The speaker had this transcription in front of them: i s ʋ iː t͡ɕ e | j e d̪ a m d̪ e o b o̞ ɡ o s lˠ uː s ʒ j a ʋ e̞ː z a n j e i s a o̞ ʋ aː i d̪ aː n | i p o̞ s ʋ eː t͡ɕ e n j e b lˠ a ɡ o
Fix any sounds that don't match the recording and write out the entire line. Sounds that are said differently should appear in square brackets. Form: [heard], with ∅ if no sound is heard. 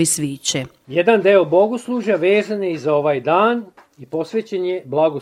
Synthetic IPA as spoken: i s ʋ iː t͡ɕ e | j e d̪ a [n] d̪ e o b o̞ ɡ o s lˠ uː [∅] ʒ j a ʋ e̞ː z a n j e i [z] a o̞ ʋ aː [j] d̪ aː n | i p o̞ s ʋ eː t͡ɕ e n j e b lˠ a ɡ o